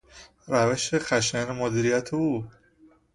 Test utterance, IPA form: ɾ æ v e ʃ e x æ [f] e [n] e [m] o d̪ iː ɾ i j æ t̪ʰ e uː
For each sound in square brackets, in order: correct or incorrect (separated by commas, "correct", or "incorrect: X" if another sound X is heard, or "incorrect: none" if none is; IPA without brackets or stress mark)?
incorrect: ʃ, correct, correct